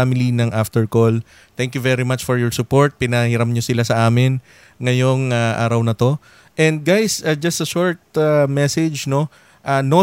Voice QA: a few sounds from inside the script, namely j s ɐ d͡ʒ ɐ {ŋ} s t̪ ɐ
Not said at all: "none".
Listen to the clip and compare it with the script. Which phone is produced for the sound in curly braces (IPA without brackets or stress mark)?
none